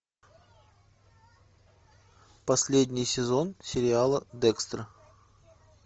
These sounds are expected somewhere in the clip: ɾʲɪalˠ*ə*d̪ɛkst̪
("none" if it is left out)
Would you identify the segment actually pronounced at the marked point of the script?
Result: ə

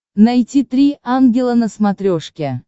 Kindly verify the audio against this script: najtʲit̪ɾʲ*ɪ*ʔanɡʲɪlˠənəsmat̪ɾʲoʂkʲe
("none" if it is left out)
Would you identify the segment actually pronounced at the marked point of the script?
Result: i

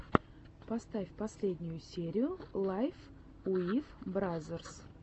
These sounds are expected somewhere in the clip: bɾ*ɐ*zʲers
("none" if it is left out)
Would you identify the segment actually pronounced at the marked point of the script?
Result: a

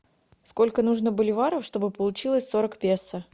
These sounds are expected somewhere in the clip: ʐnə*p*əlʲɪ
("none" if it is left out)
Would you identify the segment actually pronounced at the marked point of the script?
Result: b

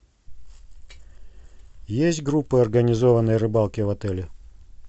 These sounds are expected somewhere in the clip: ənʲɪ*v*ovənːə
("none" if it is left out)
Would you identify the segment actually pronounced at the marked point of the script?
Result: z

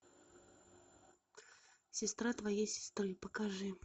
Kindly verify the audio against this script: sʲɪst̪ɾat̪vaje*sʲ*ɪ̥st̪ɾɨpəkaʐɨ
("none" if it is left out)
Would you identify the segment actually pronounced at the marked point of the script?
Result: sʲ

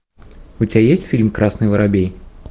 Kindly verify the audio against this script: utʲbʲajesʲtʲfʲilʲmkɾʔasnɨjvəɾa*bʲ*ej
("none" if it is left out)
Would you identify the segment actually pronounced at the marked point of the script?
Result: bʲ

